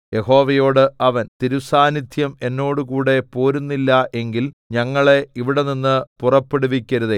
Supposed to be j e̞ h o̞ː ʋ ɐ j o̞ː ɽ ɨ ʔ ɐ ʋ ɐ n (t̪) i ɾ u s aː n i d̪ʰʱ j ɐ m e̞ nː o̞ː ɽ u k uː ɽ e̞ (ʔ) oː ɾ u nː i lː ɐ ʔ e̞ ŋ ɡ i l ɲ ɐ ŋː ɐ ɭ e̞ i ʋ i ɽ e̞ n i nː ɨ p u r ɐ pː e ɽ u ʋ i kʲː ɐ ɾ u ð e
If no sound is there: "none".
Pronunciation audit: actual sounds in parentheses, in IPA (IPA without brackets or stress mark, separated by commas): t̪, p